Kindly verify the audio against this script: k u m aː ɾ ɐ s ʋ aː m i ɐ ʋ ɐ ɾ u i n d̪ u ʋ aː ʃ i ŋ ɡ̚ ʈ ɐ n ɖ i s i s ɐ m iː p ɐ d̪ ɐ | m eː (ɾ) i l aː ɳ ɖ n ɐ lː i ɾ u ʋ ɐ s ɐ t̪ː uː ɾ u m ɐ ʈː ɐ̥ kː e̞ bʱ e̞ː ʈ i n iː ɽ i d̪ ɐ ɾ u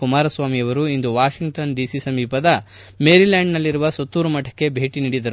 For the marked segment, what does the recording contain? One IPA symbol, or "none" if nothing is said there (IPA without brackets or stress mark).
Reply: ɾ